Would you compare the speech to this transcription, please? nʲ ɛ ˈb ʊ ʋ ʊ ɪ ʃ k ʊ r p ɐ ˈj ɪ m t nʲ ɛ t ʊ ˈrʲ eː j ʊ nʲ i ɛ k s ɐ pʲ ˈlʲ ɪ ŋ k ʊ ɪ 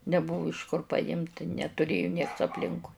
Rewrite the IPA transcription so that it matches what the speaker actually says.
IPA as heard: nʲ ɛ ˈb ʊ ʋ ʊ ɪ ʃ k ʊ r p ɐ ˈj ɪ m t nʲ ɛ t ʊ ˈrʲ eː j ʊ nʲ i ɛ k s ɐ pʲ ˈlʲ ɪ ŋ k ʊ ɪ